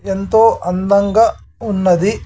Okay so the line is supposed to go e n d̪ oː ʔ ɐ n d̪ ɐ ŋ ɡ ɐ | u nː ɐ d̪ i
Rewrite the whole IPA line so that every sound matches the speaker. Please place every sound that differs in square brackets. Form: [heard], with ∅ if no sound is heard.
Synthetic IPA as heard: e n [t̪] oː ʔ ɐ n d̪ ɐ ŋ ɡ ɐ | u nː ɐ d̪ i